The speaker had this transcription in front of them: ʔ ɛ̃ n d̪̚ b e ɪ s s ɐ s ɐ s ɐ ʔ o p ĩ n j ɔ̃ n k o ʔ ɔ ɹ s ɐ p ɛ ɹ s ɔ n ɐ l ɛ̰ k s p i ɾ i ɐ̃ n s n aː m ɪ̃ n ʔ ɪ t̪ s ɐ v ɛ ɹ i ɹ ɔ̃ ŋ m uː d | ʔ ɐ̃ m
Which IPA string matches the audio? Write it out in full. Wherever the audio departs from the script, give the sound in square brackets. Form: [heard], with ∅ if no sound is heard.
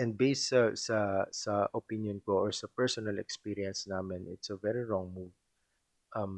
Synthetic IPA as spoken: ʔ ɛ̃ n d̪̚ b e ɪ s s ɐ s ɐ s ɐ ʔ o p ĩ n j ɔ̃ n k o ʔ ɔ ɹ s ɐ p ɛ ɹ s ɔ n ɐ l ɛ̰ k s p i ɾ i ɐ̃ n s n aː m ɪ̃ n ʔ ɪ t̪ s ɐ v ɛ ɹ i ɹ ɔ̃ ŋ m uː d | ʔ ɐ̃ m